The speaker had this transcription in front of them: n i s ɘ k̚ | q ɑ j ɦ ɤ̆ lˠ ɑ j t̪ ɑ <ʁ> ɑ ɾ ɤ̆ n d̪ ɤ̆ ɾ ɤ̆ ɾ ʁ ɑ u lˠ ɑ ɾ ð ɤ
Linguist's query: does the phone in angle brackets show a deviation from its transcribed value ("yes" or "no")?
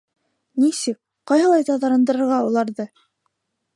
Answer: yes